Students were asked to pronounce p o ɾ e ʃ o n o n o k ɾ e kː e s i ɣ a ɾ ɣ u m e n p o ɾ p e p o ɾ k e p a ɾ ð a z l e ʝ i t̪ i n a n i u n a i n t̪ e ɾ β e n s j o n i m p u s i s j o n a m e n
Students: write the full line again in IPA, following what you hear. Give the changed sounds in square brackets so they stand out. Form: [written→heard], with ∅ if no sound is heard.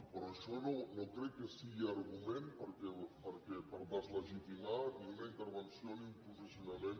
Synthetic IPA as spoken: p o ɾ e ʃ o n o n o k ɾ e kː e s i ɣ a ɾ ɣ u m e n p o ɾ [p→k] e p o ɾ k e p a ɾ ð a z l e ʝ i t̪ i [n→m] a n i u n a i n t̪ e ɾ β e n s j o n i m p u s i s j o n a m e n